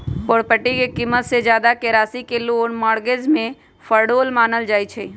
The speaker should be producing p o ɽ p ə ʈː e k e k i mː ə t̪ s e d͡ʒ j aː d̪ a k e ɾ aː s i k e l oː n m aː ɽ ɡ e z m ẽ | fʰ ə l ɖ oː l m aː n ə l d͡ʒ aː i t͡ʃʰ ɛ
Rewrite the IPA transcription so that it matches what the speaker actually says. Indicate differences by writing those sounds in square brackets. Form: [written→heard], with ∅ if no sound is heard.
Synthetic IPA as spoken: p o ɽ p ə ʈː [e→i] k e k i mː ə t̪ s e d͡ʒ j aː d̪ a k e ɾ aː s i k e l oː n m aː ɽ ɡ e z m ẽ | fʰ ə [l→ɾ] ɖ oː l m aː n ə l d͡ʒ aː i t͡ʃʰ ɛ